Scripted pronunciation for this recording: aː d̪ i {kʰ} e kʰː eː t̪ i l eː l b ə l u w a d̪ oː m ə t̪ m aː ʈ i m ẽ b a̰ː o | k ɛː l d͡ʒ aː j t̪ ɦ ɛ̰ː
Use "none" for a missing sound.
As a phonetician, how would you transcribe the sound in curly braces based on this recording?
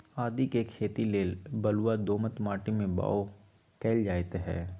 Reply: k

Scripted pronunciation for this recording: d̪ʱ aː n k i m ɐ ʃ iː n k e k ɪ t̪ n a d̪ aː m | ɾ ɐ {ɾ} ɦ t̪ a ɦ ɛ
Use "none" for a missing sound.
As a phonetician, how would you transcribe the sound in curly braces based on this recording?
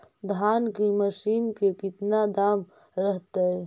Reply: none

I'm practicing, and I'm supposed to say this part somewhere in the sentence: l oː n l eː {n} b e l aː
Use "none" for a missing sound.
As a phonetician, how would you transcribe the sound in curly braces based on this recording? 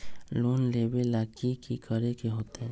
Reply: none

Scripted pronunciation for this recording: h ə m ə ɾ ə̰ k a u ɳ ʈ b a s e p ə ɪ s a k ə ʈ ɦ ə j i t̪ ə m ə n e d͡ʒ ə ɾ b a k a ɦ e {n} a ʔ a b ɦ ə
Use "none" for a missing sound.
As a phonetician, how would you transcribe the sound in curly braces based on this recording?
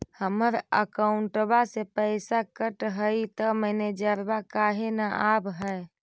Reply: n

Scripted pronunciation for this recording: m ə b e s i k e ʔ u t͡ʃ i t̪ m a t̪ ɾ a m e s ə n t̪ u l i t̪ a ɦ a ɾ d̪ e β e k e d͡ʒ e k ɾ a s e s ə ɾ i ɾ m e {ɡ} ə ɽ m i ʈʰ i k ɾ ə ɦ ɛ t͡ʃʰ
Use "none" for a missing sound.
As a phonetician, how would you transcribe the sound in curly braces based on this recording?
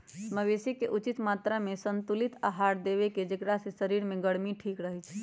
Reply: ɡ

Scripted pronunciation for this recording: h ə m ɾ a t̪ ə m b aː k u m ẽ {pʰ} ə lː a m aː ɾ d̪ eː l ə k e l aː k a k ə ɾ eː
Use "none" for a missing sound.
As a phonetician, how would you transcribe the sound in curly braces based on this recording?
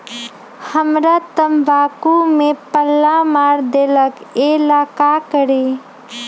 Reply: p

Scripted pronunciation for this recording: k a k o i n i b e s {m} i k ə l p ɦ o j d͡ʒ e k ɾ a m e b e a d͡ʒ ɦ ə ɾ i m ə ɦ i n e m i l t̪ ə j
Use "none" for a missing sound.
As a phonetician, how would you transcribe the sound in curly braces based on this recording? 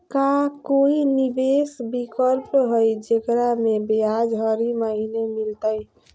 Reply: b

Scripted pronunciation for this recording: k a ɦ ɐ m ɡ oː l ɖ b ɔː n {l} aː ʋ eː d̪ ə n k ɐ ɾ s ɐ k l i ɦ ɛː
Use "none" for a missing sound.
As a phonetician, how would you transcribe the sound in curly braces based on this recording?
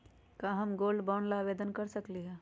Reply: l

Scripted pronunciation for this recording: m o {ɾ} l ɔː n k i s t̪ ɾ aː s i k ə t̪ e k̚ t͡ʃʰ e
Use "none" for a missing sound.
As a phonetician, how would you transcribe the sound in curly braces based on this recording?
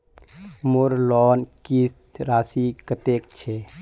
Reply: ɾ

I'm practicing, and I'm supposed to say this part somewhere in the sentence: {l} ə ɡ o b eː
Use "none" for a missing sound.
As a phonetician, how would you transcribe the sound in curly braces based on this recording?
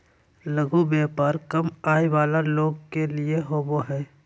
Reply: l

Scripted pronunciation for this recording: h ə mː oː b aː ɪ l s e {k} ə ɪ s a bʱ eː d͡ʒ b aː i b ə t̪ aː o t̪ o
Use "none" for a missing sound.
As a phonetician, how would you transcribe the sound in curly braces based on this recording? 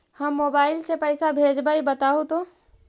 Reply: p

